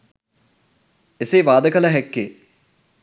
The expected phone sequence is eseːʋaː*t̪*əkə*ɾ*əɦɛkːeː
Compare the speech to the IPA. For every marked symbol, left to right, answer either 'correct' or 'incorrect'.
incorrect: d̪, incorrect: l

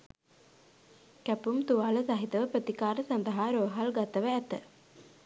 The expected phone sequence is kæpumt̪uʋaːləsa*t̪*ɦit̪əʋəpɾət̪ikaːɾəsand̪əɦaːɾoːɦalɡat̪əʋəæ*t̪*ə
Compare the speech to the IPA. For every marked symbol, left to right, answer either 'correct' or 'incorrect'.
incorrect: none, correct

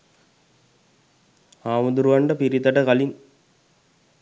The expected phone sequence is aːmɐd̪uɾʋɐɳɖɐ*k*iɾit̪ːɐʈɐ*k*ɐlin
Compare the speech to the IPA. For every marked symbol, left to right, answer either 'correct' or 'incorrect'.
incorrect: p, correct

